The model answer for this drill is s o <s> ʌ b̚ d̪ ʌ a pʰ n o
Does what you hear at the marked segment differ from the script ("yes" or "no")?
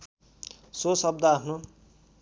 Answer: no